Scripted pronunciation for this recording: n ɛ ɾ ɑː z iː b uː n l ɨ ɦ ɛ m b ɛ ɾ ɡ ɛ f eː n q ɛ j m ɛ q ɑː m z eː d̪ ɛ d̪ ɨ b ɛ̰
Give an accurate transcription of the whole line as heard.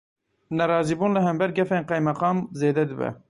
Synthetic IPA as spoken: n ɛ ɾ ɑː z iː b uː n l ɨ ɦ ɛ m b ɛ ɾ ɡ ɛ f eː n q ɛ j m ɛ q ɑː m z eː d̪ ɛ d̪ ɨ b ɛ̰